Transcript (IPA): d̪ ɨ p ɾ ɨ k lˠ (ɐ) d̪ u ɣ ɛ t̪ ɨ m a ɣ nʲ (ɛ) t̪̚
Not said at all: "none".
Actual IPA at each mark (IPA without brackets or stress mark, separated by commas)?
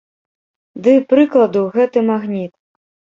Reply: ɐ, i